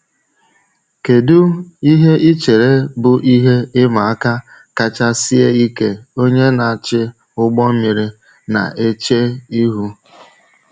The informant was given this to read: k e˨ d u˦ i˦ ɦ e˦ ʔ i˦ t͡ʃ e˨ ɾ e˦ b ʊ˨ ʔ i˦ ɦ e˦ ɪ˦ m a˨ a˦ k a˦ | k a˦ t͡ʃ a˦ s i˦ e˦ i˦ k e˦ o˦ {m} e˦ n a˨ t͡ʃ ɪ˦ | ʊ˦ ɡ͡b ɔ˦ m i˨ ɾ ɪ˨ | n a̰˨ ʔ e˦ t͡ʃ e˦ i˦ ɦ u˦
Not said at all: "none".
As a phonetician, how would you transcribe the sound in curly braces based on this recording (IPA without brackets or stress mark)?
ɲ